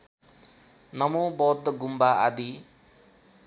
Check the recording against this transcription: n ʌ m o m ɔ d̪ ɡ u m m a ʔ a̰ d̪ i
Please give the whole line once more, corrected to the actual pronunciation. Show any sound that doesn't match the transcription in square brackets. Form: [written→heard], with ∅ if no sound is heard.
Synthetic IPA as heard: n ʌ m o [m→b] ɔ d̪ ɡ u m [m→b] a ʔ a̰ d̪ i